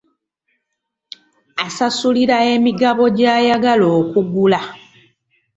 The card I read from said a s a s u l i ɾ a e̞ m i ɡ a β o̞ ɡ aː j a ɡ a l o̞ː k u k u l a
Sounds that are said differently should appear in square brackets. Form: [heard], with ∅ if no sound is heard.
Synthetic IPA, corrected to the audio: a s a s u l i ɾ a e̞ m i ɡ a β o̞ [ɟ] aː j a ɡ a l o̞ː k u [ɡ] u l a